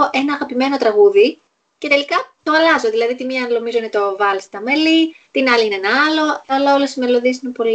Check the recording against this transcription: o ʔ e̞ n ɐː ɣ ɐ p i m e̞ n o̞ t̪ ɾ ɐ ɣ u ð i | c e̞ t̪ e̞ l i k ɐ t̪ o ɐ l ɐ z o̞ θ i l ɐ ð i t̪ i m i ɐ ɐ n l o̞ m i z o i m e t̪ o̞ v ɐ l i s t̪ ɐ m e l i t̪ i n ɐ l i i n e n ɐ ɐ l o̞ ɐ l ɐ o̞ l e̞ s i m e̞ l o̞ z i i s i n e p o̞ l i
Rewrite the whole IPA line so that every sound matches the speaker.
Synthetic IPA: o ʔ e̞ n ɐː ɣ ɐ p i m e̞ n o̞ t̪ ɾ ɐ ɣ u ð i | c e̞ t̪ e̞ l i k ɐ t̪ o ɐ l ɐ z o̞ ð i l ɐ ð i t̪ i m i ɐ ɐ n l o̞ m i z o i n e t̪ o̞ v ɐ l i s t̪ ɐ m e l i t̪ i n ɐ l i i n e n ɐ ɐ l o̞ ɐ l ɐ o̞ l e̞ s i m e̞ l o̞ ð i e s i n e p o̞ l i